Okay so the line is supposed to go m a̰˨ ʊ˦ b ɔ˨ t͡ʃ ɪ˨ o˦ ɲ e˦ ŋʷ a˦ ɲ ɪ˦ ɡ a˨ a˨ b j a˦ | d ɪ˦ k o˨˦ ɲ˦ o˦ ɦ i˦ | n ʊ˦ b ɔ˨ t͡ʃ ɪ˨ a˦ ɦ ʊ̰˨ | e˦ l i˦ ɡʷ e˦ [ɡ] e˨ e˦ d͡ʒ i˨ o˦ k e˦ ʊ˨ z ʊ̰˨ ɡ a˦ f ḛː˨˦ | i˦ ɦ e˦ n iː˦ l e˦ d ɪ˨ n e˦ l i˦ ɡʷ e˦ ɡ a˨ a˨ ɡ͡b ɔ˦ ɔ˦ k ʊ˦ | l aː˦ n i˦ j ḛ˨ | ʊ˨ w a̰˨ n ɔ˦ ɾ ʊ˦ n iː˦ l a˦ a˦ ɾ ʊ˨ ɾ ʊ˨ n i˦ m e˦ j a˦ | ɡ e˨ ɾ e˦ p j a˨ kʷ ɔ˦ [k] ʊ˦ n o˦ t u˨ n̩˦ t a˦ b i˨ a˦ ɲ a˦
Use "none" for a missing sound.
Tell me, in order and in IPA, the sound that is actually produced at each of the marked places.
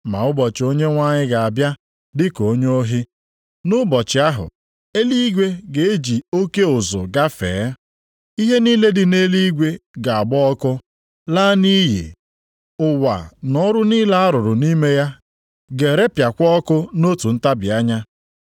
ɡ, k

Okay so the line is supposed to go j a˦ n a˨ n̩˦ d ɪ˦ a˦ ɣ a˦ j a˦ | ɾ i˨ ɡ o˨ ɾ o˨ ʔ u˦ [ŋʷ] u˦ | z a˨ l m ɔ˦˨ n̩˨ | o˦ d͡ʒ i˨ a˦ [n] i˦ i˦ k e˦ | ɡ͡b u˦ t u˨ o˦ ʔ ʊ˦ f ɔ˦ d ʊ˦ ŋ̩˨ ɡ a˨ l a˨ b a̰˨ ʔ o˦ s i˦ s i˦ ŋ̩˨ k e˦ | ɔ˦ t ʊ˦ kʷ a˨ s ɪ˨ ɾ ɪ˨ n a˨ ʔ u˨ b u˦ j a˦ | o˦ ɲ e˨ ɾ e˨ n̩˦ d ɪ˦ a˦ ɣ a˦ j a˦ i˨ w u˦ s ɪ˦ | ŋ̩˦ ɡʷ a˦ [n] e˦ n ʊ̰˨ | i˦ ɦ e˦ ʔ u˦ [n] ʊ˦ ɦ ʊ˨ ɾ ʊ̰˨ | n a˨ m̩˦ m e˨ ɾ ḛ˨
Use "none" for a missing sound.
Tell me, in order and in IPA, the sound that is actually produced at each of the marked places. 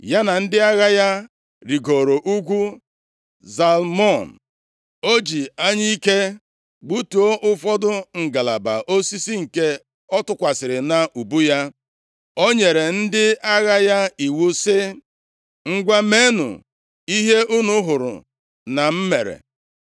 ɡʷ, ɲ, m, n

